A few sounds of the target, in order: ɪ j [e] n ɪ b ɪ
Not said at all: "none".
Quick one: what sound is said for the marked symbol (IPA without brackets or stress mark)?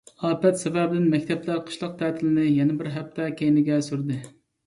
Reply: ɛ